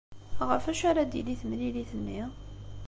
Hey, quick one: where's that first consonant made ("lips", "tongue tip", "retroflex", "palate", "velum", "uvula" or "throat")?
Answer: uvula